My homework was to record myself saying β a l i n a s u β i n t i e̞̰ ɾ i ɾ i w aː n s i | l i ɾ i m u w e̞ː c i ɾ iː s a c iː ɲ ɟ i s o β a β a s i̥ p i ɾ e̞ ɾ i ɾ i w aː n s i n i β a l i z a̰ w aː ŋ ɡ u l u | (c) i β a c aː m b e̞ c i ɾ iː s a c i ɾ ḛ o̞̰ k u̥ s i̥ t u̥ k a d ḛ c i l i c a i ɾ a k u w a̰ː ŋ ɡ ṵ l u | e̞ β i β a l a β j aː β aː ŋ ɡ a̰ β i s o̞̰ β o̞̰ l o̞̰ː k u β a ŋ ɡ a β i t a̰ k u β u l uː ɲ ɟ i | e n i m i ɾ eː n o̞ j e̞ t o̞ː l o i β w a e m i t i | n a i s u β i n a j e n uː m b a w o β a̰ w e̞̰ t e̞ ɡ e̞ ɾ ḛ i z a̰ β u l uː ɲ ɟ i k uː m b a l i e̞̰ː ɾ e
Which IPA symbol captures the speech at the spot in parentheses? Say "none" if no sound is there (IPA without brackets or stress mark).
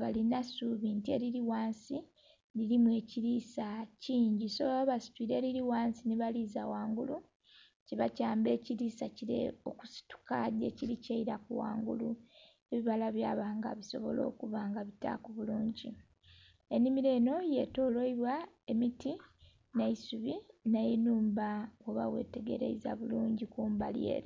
c